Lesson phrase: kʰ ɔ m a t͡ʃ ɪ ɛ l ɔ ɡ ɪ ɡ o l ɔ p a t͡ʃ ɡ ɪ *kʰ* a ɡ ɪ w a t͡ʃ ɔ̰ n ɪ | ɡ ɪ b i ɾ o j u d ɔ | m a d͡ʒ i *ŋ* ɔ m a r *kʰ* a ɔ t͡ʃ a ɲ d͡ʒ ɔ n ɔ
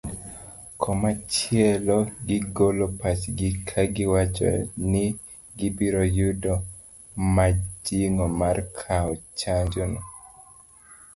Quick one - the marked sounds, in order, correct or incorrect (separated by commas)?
correct, correct, correct